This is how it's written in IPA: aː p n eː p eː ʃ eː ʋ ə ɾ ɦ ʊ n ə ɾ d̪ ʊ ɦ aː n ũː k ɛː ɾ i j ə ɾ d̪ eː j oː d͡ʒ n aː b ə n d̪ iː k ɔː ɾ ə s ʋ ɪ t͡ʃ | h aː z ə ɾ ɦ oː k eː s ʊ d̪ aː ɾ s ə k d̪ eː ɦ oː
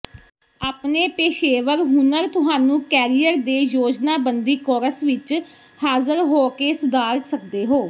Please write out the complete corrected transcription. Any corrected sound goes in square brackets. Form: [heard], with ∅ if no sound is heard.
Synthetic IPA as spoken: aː p n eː p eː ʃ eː ʋ ə ɾ ɦ ʊ n ə ɾ [t̪] ʊ ɦ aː n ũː k ɛː ɾ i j ə ɾ d̪ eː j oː d͡ʒ n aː b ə n d̪ iː k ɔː ɾ ə s ʋ ɪ t͡ʃ | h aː z ə ɾ ɦ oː k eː s ʊ d̪ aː ɾ s ə k d̪ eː ɦ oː